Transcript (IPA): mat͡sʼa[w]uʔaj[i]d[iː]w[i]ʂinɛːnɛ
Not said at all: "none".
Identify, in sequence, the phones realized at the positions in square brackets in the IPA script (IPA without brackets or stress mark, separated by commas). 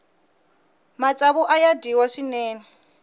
β, a, i, a